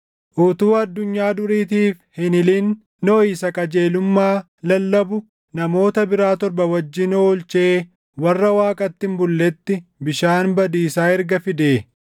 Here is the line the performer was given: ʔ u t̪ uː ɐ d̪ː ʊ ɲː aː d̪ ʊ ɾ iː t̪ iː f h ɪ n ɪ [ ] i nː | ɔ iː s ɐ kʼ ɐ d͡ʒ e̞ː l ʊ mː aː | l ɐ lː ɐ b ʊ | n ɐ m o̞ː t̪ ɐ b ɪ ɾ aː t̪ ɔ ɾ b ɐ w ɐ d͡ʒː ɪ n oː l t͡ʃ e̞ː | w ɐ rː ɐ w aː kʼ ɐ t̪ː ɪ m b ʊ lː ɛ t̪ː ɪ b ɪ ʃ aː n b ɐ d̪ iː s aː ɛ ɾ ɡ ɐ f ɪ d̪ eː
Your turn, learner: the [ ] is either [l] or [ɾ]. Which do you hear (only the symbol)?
l